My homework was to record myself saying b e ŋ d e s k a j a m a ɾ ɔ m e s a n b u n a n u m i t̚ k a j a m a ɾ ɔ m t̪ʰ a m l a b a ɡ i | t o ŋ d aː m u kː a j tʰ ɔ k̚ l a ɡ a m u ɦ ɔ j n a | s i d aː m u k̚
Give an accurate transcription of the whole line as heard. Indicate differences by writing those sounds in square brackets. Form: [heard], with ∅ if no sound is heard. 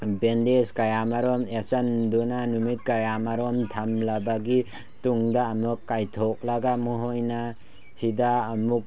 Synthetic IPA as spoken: b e [n] d e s k a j a m a ɾ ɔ m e s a n [d] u n a n u m i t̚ k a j a m a ɾ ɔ m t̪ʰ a m l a b a ɡ i | t [u] ŋ d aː m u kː a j tʰ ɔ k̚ l a ɡ a m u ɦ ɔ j n a | [h] i d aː m u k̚